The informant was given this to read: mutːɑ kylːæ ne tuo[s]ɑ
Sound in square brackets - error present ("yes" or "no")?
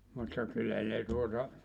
yes